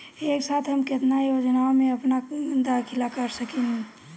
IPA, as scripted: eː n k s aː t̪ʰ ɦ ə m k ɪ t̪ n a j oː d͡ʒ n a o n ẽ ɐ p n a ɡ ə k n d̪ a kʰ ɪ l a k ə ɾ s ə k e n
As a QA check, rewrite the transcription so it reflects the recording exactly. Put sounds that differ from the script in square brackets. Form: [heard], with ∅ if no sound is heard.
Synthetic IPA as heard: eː [∅] k s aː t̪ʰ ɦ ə m k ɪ t̪ n a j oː d͡ʒ n a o [m] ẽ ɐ p n a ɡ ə [∅] n d̪ a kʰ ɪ l a k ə ɾ s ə k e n